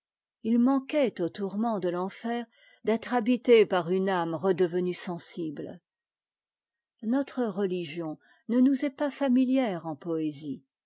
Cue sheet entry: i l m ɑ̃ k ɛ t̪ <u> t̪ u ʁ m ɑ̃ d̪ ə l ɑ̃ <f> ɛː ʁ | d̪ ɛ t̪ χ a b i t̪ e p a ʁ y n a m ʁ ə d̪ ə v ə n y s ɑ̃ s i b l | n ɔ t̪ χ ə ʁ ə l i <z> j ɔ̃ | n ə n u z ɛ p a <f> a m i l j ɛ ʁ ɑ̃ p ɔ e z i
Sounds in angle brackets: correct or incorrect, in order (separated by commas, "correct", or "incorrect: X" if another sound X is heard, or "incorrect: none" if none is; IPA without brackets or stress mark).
incorrect: o, correct, incorrect: ʒ, correct